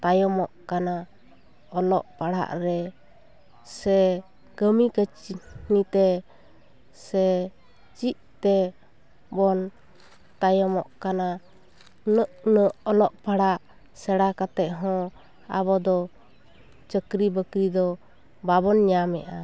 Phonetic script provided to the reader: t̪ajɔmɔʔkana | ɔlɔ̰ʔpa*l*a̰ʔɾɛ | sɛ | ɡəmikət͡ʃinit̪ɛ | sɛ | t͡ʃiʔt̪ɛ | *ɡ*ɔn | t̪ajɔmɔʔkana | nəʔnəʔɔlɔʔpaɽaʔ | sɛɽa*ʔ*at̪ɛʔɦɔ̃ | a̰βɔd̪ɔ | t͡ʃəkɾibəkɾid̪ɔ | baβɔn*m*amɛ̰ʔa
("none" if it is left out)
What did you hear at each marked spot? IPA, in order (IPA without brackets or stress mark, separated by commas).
ɽ, b, k, ɲ